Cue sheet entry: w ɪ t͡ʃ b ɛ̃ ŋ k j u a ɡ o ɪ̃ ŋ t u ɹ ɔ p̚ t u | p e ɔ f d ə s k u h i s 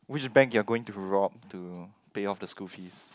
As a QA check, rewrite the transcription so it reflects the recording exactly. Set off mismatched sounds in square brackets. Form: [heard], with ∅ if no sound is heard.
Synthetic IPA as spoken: w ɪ t͡ʃ b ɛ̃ ŋ k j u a ɡ o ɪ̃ ŋ t u ɹ ɔ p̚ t u | p e ɔ f d ə s k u [f] i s